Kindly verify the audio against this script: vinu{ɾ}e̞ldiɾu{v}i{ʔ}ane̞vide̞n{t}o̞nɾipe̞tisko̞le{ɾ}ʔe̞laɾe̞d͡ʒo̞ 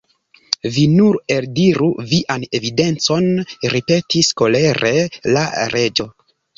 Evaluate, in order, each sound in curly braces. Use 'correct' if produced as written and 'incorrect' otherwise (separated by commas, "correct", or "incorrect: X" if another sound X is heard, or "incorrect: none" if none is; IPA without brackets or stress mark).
correct, correct, correct, incorrect: t͡s, correct